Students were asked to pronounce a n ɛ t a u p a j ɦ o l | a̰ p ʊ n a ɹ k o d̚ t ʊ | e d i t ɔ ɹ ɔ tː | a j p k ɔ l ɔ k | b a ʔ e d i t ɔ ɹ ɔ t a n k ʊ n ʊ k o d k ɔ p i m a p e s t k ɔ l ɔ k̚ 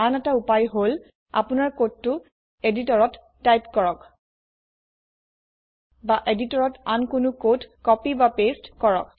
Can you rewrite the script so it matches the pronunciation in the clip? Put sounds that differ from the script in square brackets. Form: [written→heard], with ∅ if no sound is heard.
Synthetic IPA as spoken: a n ɛ t a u p a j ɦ o l | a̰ p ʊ n a ɹ k o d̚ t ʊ | e d i t ɔ ɹ ɔ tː | a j p k ɔ [l→ɹ] ɔ k | b a ʔ e d i t ɔ ɹ ɔ t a n k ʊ n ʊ k o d k ɔ p i [m→b] a p e s t k ɔ [l→ɹ] ɔ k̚